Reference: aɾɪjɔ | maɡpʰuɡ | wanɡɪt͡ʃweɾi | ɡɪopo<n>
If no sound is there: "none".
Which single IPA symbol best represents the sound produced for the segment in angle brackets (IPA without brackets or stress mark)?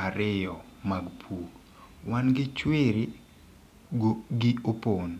n